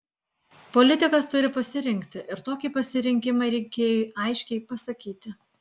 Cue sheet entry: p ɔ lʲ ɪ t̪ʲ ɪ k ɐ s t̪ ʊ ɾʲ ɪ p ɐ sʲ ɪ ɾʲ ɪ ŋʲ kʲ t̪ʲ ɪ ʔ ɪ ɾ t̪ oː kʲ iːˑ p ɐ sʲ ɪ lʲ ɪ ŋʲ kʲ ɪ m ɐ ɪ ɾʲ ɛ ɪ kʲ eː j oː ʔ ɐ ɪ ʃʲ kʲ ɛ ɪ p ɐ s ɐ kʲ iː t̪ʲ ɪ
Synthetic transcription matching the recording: p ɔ lʲ ɪ t̪ʲ ɪ k ɐ s t̪ ʊ ɾʲ ɪ p ɐ sʲ ɪ ɾʲ ɪ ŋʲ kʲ t̪ʲ ɪ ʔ ɪ ɾ t̪ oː kʲ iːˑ p ɐ sʲ ɪ ɾʲ ɪ ŋʲ kʲ ɪ m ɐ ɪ ɾʲ ɛ ɪ kʲ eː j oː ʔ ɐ ɪ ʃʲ kʲ ɛ ɪ p ɐ s ɐ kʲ iː t̪ʲ ɪ